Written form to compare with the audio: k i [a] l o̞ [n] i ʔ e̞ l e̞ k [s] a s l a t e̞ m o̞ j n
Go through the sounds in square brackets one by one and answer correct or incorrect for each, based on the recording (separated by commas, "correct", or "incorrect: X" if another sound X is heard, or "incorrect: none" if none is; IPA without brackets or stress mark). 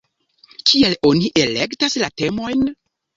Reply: incorrect: e, correct, incorrect: t